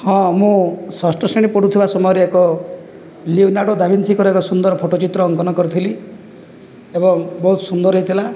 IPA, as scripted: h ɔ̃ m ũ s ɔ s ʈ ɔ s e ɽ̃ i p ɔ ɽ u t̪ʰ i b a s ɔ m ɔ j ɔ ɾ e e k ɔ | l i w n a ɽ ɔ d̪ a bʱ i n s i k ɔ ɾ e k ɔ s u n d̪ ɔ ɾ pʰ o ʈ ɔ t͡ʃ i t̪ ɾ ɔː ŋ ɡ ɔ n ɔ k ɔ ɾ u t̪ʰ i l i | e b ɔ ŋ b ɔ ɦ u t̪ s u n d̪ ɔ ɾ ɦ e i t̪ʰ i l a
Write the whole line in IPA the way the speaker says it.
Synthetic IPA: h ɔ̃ m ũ s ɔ s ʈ ɔ s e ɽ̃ i p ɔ ɽ u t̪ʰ i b a s ɔ m ɔ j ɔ ɾ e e k ɔ | l i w n a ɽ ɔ d̪ a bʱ i n s i k ɔ ɾ e k ɔ s u n d̪ ɔ ɾ pʰ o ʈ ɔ t͡ʃ i t̪ ɾ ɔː ŋ k ɔ n ɔ k ɔ ɾ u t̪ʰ i l i | e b ɔ ŋ b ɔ ɦ u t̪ s u n d̪ ɔ ɾ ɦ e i t̪ʰ i l a